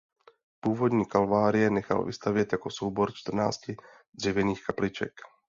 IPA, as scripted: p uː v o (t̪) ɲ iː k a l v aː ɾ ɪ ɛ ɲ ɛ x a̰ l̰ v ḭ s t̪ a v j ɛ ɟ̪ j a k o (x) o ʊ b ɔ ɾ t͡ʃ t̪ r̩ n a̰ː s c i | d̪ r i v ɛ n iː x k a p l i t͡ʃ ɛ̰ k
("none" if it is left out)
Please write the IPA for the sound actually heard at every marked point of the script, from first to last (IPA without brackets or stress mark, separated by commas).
d̪, s